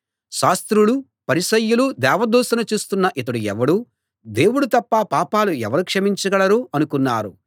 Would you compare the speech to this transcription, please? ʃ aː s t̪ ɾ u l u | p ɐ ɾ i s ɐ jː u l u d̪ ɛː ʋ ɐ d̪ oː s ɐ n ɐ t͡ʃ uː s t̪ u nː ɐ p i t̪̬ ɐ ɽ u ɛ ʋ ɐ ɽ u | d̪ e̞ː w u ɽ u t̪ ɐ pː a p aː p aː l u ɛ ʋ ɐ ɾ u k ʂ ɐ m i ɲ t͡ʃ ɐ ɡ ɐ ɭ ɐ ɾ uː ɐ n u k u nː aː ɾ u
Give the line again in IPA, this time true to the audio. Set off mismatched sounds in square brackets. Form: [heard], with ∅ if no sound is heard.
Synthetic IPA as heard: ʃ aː s t̪ ɾ u l u | p ɐ ɾ i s ɐ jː u l u d̪ ɛː ʋ ɐ d̪ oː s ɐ n ɐ t͡ʃ uː s t̪ u nː ɐ [ʔ] i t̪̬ ɐ ɽ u ɛ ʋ ɐ ɽ u | d̪ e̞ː w u ɽ u t̪ ɐ pː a p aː p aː l u ɛ ʋ ɐ ɾ u k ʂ ɐ m i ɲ t͡ʃ ɐ ɡ ɐ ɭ ɐ ɾ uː ɐ n u k u nː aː ɾ u